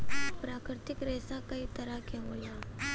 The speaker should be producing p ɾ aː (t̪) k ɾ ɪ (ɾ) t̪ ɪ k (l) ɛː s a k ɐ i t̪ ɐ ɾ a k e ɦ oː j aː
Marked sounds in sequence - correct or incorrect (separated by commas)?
incorrect, incorrect, incorrect